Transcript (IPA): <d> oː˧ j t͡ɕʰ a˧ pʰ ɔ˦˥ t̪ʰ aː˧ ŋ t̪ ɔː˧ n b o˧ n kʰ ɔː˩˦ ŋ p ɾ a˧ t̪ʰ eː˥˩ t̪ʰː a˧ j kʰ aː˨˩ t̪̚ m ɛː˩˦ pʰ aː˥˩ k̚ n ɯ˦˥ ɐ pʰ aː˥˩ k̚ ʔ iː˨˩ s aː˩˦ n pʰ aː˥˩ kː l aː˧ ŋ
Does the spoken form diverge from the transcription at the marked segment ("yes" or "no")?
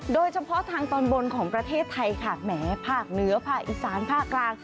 no